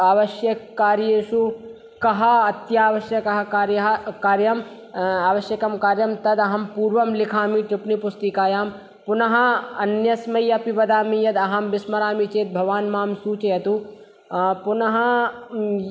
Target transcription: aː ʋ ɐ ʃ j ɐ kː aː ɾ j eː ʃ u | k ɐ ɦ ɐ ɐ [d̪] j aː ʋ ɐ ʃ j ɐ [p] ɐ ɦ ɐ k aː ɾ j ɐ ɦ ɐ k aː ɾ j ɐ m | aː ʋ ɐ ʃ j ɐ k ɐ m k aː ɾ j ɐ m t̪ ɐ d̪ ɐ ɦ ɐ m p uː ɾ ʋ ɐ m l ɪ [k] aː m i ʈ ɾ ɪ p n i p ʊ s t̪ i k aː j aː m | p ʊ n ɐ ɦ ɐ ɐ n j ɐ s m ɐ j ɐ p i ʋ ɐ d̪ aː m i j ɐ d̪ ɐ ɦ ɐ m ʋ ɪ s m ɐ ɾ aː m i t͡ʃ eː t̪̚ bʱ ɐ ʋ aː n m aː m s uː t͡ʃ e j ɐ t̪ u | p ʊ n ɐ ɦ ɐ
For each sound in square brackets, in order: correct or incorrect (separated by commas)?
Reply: incorrect, incorrect, incorrect